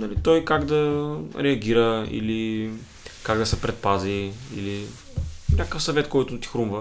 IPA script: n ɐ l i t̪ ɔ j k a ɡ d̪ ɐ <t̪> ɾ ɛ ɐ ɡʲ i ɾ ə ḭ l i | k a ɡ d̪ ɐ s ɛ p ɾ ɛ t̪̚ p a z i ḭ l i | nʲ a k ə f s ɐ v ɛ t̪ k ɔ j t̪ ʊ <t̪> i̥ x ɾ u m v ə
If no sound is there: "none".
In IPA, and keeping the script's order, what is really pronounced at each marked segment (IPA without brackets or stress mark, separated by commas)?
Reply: none, t̪